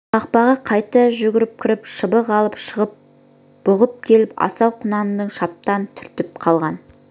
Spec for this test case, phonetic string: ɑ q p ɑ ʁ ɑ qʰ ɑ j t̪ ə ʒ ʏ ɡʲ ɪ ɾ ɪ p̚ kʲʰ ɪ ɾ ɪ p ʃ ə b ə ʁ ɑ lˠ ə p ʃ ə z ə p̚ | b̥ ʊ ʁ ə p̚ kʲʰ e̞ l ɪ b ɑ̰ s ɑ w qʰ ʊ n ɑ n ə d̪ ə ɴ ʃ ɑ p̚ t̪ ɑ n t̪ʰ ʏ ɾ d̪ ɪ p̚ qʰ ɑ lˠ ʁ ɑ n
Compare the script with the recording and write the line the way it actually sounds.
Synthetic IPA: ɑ q p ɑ ʁ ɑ qʰ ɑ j t̪ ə ʒ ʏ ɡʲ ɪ ɾ ɪ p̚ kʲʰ ɪ ɾ ɪ p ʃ ə b ə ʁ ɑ lˠ ə p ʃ ə ʁ ə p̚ | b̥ ʊ ʁ ə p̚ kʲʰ e̞ l ɪ p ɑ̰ s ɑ w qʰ ʊ n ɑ n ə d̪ ə ɴ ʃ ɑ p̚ t̪ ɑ n t̪ʰ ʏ ɾ t̪ ɪ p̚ qʰ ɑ lˠ ʁ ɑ n